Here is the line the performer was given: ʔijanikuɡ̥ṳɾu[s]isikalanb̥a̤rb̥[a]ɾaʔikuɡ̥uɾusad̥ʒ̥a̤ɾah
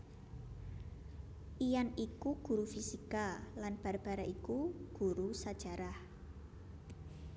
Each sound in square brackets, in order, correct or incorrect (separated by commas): incorrect, correct